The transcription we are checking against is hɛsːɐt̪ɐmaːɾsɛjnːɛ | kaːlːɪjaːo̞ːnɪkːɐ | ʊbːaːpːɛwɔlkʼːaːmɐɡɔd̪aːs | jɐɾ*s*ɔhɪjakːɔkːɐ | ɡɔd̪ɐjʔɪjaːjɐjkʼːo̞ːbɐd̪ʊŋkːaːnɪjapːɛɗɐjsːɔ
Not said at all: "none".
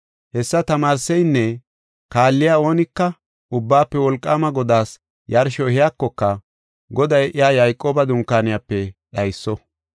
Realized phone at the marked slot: ʃ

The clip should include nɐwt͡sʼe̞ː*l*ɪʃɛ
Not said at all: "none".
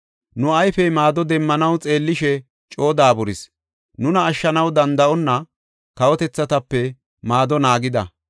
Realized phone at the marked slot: lː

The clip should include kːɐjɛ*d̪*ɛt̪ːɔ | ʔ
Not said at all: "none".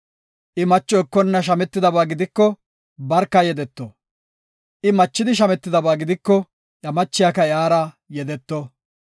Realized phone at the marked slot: d̪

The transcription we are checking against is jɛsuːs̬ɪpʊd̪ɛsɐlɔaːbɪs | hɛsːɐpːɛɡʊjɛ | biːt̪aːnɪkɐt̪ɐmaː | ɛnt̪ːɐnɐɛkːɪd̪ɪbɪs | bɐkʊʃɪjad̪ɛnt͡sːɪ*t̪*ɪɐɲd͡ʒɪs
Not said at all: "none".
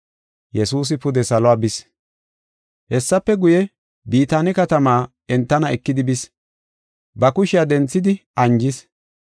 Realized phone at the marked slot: d̪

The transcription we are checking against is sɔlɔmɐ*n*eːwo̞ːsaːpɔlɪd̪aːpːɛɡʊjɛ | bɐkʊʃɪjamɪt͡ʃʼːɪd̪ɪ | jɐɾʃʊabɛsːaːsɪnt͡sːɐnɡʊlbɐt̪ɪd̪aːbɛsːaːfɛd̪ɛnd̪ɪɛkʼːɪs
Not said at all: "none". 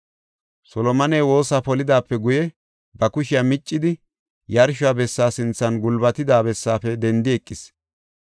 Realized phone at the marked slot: n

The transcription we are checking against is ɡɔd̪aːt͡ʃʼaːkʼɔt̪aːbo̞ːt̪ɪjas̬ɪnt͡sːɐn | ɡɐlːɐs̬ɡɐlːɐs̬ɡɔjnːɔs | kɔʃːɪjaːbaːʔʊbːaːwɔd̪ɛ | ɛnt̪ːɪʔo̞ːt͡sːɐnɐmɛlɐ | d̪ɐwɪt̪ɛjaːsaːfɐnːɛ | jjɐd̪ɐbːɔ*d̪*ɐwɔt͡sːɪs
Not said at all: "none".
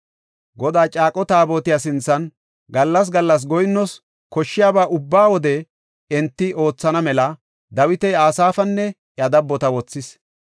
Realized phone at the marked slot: t̪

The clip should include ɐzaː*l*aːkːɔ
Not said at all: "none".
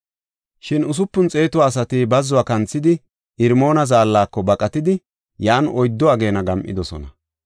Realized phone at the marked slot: lː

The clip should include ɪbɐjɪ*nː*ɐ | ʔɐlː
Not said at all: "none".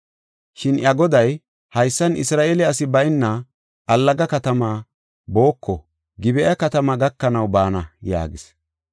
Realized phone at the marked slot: nː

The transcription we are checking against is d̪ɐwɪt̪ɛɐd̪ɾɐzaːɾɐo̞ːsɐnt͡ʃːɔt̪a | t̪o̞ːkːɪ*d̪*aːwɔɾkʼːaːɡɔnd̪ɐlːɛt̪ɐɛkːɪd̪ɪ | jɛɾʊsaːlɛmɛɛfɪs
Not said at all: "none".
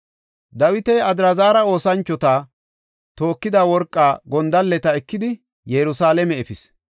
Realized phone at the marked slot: d̪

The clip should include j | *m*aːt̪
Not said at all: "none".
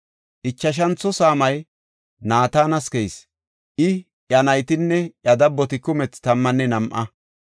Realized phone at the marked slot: n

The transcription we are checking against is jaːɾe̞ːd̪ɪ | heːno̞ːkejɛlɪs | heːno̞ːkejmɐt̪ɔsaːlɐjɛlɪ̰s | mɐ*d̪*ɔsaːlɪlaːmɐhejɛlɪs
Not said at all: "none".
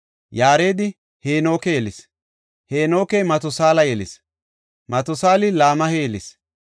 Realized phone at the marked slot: t̪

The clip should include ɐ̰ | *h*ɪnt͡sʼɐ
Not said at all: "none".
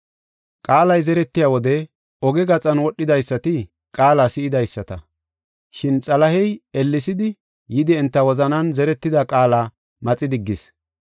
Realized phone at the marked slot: ʃ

